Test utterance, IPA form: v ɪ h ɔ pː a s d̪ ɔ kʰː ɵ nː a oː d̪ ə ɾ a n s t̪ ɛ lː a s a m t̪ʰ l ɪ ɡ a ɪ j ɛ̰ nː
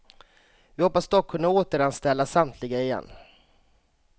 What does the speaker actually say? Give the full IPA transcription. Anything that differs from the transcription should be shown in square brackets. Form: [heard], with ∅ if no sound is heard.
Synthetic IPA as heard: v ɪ h ɔ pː a s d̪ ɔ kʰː ɵ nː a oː [t̪] ə ɾ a n s t̪ ɛ lː a s a m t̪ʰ l ɪ ɡ a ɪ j ɛ̰ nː

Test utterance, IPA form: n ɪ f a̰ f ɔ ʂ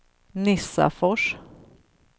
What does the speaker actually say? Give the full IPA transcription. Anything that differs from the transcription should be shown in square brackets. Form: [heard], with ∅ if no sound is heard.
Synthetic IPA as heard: n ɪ [s] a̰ f ɔ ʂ

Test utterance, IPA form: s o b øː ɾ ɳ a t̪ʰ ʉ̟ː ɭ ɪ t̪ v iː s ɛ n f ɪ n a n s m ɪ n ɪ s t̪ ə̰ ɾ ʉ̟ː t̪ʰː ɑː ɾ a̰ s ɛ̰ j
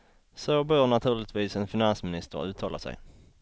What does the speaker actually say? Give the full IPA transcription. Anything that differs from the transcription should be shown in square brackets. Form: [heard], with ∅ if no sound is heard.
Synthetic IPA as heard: s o b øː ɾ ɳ a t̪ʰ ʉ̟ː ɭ ɪ t̪ v iː s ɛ n f ɪ n a n s m ɪ n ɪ s t̪ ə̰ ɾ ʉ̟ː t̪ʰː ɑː [l] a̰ s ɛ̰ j

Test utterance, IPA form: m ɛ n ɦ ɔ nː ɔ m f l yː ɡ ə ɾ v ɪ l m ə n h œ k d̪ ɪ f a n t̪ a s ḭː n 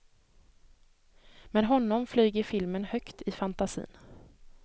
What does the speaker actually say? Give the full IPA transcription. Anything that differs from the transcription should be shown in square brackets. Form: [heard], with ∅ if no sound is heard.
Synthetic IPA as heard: m ɛ n ɦ ɔ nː ɔ m f l yː ɡ ə ɾ [f] ɪ l m ə n h œ k [t̪] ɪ f a n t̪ a s ḭː n

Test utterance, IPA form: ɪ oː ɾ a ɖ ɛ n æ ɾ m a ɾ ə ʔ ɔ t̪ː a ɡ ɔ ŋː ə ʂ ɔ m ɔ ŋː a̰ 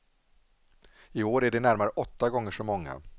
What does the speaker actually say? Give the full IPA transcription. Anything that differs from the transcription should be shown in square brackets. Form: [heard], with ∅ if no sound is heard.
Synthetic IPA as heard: ɪ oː ɾ [æ] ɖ ɛ n æ ɾ m a ɾ ə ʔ ɔ t̪ː a ɡ ɔ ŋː ə ʂ ɔ m ɔ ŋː a̰

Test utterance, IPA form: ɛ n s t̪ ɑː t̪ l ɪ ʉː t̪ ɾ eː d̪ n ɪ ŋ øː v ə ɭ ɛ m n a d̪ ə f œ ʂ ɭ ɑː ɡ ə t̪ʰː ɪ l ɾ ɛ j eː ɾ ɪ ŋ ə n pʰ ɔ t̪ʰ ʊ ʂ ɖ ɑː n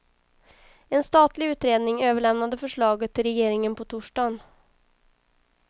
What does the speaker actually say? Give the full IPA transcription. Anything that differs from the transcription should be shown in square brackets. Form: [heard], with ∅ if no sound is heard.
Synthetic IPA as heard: ɛ n s t̪ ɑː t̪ l ɪ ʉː t̪ ɾ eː d̪ n ɪ ŋ øː v ə ɭ ɛ m n a d̪ ə f œ ʂ ɭ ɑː ɡ ə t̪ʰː ɪ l ɾ ɛ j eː ɾ ɪ ŋ ə n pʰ ɔ t̪ʰ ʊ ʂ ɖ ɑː n

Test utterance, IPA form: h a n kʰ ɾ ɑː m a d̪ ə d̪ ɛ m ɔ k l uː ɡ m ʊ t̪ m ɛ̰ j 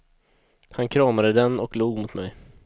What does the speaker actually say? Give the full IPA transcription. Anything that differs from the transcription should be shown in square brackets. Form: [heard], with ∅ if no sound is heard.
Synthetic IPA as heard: h a n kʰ ɾ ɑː m a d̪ ə d̪ ɛ [n] ɔ k l uː ɡ m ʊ t̪ m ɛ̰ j

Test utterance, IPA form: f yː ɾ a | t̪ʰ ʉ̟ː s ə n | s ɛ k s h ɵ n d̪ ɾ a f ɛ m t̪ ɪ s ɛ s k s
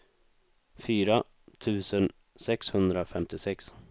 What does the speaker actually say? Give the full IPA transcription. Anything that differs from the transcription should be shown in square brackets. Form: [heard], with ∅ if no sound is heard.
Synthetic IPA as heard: f yː ɾ a | t̪ʰ ʉ̟ː s ə n | s ɛ k s h ɵ n d̪ ɾ a f ɛ m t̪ ɪ s ɛ [∅] k s

